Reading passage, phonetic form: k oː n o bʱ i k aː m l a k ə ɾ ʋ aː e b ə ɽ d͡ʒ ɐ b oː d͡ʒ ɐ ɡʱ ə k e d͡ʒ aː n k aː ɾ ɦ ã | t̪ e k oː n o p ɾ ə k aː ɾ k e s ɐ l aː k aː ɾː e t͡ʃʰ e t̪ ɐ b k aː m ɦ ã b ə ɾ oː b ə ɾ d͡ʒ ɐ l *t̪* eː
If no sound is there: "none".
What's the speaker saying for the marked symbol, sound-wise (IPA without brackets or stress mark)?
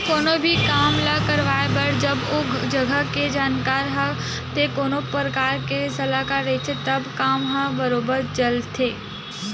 t̪ʰ